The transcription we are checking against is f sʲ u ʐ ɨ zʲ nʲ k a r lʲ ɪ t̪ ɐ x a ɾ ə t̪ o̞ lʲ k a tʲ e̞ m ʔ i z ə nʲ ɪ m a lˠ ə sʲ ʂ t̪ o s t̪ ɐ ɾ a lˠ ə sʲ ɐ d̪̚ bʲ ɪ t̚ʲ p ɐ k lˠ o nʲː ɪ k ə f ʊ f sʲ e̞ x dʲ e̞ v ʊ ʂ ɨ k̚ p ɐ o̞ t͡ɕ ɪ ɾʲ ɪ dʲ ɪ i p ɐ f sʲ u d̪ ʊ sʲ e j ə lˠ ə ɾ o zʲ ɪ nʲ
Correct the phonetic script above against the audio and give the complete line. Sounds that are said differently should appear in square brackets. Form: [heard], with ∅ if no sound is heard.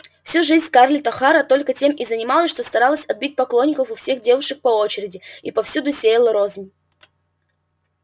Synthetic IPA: f sʲ u ʐ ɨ zʲ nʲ k a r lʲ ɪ t̪ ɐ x a ɾ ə t̪ o̞ lʲ k [ə] tʲ e̞ m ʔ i z ə nʲ ɪ m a lˠ ə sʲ ʂ t̪ o s t̪ ɐ ɾ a lˠ ə sʲ ɐ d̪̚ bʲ [i] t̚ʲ p ɐ k lˠ o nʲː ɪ k ə f ʊ f sʲ e̞ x dʲ e̞ v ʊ ʂ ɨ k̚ p ɐ o̞ t͡ɕ ɪ ɾʲ ɪ dʲ ɪ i p ɐ f sʲ u d̪ ʊ sʲ e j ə lˠ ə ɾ o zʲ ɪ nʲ